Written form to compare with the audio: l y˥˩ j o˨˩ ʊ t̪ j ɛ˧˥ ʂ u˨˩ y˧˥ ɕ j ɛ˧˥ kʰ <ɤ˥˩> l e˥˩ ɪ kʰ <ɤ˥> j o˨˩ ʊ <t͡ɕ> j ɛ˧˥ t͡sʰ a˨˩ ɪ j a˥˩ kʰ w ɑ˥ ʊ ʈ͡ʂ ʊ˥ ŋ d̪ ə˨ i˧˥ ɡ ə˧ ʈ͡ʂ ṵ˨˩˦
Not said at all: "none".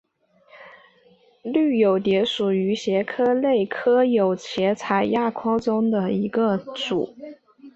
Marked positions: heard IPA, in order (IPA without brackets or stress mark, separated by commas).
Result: ɤ˥, ɤ˥, t͡ɕʰ